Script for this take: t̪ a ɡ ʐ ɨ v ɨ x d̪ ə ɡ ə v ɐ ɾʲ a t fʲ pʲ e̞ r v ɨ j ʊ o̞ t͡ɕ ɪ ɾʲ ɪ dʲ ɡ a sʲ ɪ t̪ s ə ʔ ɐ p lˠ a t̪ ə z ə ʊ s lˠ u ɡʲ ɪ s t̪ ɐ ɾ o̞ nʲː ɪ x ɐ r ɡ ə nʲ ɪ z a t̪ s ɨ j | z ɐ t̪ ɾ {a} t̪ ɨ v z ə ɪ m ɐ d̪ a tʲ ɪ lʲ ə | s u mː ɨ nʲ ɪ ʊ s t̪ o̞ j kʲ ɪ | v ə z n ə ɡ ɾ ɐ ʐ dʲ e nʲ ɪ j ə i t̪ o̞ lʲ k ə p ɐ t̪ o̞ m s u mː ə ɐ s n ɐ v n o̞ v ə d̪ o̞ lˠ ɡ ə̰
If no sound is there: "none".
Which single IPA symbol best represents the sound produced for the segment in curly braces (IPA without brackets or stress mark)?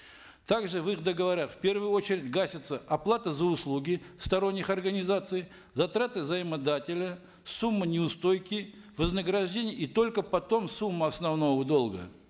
a